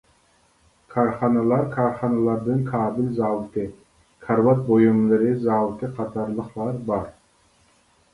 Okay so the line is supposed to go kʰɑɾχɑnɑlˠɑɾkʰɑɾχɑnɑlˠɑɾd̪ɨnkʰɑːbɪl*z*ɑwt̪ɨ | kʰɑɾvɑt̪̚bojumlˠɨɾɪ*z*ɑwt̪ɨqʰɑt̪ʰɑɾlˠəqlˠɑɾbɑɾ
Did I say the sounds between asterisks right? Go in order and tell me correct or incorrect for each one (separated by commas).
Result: correct, correct